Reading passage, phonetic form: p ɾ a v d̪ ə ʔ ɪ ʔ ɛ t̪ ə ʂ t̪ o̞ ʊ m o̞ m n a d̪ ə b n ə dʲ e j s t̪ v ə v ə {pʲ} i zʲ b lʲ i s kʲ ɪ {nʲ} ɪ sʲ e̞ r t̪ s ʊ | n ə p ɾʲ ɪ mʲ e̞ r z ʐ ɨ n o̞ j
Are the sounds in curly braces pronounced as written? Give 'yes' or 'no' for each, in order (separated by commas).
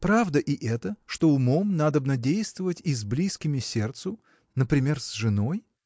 no, no